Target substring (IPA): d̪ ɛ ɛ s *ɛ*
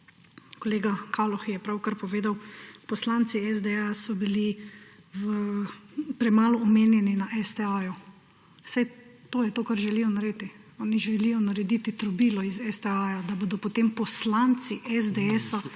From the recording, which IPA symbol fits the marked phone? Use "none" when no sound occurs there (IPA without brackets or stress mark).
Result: a